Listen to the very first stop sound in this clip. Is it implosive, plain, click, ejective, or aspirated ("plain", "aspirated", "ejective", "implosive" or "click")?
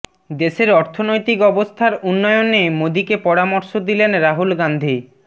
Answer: plain